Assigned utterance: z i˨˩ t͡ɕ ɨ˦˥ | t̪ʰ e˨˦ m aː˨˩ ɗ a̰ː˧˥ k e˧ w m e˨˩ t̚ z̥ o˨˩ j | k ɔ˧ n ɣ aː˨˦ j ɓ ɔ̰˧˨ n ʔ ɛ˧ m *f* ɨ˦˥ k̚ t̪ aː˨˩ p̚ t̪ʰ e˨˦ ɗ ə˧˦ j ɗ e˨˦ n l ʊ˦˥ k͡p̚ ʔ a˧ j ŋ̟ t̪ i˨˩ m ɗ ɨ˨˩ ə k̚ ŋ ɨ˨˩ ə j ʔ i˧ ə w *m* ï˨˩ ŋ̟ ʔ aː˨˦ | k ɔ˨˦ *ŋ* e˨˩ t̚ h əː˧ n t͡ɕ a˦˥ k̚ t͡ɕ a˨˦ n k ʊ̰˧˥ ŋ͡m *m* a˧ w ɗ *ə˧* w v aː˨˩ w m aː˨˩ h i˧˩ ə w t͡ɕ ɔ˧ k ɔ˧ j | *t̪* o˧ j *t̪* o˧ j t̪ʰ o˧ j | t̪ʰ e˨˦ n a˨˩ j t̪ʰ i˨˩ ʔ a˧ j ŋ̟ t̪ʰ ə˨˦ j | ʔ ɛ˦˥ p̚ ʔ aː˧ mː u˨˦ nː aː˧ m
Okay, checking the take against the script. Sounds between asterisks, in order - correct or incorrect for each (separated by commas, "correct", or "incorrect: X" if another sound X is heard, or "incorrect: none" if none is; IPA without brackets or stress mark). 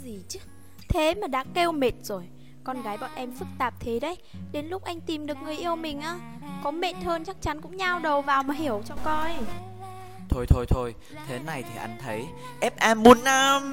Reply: correct, correct, incorrect: m, incorrect: ɲ, incorrect: ə˨˩, incorrect: t̪ʰ, incorrect: t̪ʰ